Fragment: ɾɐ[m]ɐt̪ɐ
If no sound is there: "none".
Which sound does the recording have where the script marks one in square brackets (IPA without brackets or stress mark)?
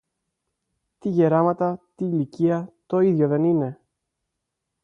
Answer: m